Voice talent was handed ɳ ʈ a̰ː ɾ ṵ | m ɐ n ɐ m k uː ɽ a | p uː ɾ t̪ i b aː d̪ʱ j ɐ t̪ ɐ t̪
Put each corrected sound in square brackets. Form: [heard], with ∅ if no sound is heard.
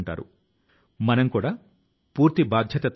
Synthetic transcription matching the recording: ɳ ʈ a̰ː ɾ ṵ | m ɐ n ɐ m k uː ɽ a | p uː ɾ t̪ i b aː d̪ʱ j ɐ t̪ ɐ t̪